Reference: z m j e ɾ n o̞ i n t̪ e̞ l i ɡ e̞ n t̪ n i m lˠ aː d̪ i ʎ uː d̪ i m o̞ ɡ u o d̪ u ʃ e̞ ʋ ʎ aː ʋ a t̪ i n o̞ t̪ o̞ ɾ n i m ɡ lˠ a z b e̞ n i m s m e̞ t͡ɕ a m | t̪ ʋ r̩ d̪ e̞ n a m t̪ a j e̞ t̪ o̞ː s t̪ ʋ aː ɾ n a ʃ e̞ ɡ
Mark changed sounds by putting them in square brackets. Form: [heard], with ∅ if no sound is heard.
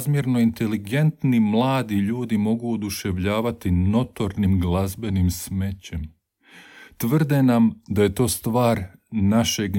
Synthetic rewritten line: z m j e ɾ n o̞ i n t̪ e̞ l i ɡ e̞ n t̪ n i m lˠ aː d̪ i ʎ uː d̪ i m o̞ ɡ u o d̪ u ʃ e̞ ʋ ʎ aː ʋ a t̪ i n o̞ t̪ o̞ ɾ n i m ɡ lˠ a z b e̞ n i m s m e̞ t͡ɕ [e] m | t̪ ʋ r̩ d̪ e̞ n a m [d̪] a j e̞ t̪ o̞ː s t̪ ʋ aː ɾ n a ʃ e̞ ɡ